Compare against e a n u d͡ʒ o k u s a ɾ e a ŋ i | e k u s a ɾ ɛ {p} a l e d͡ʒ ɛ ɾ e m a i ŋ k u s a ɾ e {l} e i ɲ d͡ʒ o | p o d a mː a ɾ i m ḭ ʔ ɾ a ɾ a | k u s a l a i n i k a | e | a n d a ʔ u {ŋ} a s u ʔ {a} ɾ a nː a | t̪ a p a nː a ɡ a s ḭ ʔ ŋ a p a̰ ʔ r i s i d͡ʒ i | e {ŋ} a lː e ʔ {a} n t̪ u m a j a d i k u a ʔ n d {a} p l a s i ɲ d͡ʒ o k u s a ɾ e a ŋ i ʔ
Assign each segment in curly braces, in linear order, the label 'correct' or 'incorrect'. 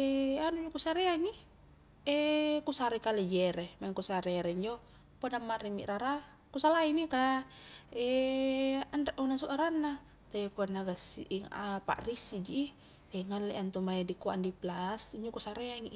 incorrect: k, incorrect: ɾ, incorrect: n, correct, correct, correct, incorrect: i

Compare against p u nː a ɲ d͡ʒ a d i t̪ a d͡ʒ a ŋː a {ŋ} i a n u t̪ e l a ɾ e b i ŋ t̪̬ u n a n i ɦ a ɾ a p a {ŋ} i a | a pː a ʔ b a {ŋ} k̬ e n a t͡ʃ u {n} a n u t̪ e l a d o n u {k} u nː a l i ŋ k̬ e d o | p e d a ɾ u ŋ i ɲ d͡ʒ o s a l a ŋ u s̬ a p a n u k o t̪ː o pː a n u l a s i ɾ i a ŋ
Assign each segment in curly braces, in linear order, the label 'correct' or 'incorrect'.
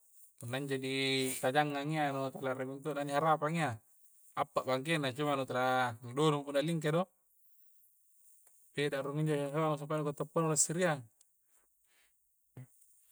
correct, correct, correct, incorrect: m, incorrect: p

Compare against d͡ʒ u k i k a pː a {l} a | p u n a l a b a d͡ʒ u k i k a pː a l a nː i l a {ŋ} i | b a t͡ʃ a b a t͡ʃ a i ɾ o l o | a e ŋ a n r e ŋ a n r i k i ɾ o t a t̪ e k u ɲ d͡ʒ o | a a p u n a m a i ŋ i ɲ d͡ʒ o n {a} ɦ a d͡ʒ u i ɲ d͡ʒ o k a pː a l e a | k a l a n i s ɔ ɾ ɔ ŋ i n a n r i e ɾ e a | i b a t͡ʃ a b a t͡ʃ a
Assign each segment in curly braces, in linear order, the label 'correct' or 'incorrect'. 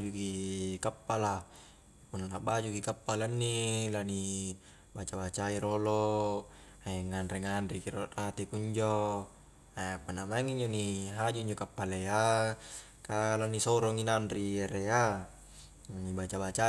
correct, incorrect: n, incorrect: i

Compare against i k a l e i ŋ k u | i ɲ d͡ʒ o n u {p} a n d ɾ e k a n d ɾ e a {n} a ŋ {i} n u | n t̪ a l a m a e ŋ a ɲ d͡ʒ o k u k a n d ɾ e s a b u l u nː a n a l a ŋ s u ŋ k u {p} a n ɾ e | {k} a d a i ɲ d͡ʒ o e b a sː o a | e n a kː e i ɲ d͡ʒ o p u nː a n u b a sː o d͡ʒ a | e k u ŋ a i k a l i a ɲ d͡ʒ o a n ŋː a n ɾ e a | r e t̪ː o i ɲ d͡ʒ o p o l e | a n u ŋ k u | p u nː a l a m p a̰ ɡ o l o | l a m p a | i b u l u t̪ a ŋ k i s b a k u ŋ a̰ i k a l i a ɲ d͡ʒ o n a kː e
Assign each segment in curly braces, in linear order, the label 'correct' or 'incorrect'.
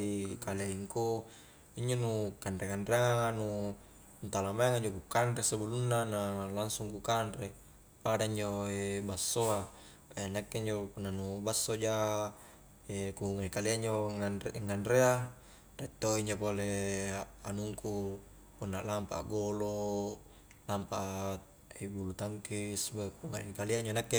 incorrect: k, incorrect: ŋ, incorrect: a, incorrect: k, incorrect: p

